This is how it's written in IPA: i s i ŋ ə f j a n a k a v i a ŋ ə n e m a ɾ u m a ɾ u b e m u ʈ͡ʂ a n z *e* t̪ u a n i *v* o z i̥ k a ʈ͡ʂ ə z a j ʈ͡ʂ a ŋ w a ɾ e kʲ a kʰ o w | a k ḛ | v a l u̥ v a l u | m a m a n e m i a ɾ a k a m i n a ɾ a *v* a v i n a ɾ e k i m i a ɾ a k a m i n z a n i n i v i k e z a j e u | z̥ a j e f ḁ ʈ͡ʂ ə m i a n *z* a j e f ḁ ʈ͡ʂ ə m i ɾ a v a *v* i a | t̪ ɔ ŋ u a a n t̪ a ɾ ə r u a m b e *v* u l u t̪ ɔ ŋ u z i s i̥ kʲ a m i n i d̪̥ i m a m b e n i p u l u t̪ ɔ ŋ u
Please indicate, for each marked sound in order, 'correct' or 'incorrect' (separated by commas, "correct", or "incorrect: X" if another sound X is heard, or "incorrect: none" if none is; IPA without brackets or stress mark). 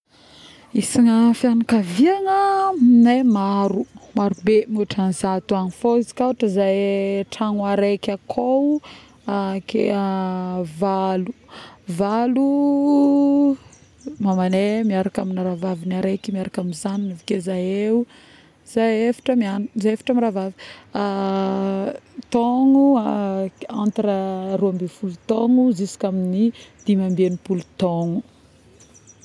incorrect: a, incorrect: f, correct, correct, correct, incorrect: f